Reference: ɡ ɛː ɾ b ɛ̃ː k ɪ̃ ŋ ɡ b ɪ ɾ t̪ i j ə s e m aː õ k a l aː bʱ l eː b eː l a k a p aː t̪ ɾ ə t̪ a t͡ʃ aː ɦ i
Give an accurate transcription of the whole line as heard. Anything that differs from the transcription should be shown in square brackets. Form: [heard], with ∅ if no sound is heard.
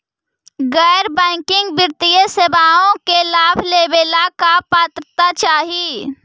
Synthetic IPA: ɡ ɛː ɾ b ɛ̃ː k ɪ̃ ŋ ɡ b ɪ ɾ t̪ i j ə s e [b] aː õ k [e] l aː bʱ l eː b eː l a k a p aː t̪ ɾ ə t̪ a t͡ʃ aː ɦ i